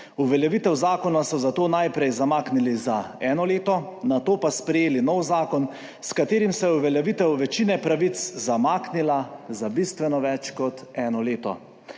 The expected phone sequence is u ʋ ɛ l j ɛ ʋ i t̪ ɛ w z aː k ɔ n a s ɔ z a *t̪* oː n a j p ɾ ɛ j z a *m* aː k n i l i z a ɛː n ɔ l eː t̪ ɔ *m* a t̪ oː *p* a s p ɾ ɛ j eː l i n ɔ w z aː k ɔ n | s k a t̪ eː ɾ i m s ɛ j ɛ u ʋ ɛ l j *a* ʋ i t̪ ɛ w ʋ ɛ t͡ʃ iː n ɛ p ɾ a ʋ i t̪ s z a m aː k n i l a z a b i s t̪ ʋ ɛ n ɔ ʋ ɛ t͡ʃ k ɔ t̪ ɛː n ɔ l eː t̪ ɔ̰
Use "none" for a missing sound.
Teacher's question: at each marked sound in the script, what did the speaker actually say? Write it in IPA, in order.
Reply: t̪, m, n, p, ɛ

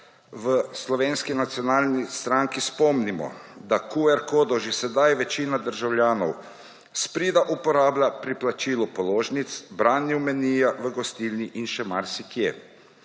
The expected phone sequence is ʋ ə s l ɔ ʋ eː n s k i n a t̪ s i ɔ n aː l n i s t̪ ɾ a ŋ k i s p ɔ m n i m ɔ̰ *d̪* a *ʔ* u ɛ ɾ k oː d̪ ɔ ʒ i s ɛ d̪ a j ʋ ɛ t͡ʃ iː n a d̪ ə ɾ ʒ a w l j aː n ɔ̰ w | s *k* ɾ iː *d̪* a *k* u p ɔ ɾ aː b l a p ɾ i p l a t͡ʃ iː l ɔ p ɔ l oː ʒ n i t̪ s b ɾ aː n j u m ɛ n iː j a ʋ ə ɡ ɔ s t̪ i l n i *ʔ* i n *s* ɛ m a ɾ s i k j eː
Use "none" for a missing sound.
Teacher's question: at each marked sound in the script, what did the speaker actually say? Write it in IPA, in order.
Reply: d̪, k, p, d̪, ʔ, ʔ, ʃ

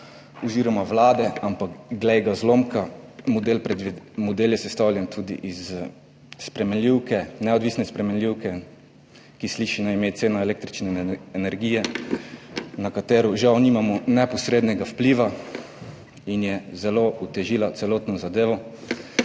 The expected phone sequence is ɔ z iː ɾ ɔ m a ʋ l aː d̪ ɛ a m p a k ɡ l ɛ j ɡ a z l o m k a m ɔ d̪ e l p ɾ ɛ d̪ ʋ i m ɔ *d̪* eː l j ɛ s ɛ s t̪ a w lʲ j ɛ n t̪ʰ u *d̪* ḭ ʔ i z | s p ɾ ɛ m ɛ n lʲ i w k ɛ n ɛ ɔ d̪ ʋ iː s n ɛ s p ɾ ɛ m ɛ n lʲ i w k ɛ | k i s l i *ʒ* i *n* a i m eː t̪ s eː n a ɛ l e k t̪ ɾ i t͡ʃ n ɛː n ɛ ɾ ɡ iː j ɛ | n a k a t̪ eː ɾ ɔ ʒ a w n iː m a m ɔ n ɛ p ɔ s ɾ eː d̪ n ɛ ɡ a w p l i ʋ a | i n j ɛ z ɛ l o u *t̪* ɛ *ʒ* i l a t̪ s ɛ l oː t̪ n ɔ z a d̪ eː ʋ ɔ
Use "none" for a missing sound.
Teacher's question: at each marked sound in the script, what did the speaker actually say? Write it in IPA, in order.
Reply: d̪, d̪, ʃ, n, t̪, ʒ

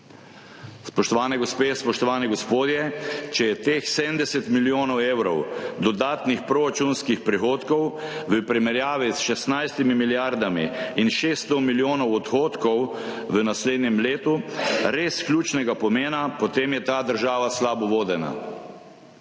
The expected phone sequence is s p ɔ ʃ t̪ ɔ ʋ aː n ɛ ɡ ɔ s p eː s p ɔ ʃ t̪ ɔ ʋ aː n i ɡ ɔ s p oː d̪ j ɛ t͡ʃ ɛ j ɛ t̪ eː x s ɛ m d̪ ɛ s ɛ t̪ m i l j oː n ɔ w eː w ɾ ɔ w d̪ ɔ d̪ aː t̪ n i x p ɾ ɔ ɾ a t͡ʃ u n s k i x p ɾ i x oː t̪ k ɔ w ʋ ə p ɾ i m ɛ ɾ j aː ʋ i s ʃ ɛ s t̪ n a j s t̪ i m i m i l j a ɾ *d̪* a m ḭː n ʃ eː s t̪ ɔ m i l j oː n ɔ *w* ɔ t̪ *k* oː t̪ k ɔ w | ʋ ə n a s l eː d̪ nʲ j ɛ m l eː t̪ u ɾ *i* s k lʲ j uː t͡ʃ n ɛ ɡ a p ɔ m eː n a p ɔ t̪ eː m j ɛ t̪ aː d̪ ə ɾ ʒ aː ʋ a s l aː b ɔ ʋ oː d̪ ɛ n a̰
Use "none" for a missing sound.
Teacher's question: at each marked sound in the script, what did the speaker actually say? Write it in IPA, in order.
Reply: d̪, w, x, e

